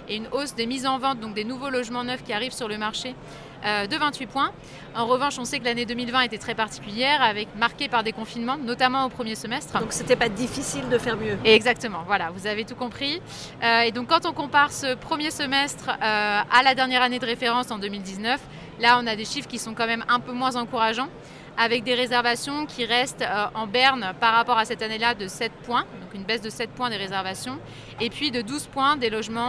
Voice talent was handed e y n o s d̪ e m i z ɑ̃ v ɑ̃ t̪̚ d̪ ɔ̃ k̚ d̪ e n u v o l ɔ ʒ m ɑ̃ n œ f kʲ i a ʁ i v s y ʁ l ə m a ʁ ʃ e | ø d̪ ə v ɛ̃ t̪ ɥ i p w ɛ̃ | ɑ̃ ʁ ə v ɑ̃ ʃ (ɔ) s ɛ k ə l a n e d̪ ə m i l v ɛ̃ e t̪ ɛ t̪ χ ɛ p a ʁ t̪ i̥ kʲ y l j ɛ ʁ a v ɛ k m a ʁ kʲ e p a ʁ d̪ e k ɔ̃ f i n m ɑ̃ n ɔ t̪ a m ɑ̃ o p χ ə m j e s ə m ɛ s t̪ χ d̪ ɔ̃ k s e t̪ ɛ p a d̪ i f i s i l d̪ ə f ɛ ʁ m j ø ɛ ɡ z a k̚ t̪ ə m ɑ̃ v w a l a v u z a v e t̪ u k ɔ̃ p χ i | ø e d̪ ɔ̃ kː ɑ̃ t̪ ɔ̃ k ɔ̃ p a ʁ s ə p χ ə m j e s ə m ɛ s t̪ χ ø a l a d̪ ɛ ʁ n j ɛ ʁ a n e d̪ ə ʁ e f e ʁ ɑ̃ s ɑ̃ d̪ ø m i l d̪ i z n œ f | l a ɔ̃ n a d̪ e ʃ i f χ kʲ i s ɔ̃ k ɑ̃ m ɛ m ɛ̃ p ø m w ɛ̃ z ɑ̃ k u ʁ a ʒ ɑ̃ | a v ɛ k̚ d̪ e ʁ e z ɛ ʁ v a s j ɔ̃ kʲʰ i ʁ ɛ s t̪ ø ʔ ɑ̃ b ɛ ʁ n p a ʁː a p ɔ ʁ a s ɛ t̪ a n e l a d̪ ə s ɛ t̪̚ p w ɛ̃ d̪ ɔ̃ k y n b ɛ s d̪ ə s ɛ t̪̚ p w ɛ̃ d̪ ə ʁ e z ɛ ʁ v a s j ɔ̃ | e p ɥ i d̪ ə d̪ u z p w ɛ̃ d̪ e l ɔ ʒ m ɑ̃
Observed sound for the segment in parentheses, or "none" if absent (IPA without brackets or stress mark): ɔ̃